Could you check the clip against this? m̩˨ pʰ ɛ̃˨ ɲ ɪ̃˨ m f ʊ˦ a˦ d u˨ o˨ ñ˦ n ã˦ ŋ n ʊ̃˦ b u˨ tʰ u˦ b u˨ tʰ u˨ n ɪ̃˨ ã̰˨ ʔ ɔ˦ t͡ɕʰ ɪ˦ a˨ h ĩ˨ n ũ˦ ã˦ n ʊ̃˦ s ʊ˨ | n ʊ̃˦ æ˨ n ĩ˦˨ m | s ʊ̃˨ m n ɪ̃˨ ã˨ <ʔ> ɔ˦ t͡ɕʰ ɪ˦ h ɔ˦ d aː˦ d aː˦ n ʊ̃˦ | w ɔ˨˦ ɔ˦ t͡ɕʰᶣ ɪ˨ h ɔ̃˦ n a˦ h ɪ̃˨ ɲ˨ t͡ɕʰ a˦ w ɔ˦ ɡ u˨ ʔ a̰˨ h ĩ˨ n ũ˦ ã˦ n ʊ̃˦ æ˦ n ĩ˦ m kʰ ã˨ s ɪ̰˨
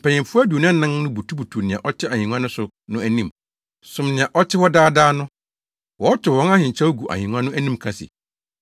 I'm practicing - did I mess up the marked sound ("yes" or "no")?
no